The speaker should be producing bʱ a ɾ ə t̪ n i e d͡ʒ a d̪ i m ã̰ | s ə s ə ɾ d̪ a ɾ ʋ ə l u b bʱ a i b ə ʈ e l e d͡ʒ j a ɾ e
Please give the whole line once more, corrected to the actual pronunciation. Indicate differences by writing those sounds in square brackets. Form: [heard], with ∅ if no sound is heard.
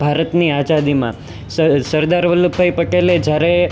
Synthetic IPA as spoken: bʱ a ɾ ə t̪ n i [a] d͡ʒ a d̪ i m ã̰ | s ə s ə ɾ d̪ a ɾ ʋ ə l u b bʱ a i [p] ə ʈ e l e d͡ʒ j a ɾ e